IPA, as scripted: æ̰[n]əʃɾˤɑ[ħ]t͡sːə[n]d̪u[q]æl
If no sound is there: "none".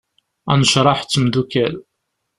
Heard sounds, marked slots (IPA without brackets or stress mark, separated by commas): n, ħ, m, k